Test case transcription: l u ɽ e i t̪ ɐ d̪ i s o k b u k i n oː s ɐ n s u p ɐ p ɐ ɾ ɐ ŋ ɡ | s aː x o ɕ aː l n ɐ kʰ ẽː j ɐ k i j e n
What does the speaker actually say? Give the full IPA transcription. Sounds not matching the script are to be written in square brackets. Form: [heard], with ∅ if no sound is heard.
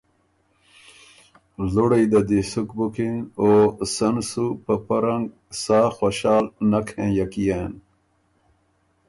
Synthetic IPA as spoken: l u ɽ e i [d̪] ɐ d̪ i s [u] k b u k i n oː s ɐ n s u p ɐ p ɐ ɾ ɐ ŋ ɡ | s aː x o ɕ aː l n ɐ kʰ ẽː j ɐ k i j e n